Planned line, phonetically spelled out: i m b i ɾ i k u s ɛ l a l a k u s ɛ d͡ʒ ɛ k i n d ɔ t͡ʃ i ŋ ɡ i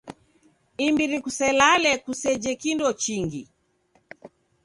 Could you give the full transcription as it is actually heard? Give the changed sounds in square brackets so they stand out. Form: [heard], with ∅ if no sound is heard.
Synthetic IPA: i m b i ɾ i k u s ɛ l a l [ɛ] k u s ɛ d͡ʒ ɛ k i n d ɔ t͡ʃ i ŋ ɡ i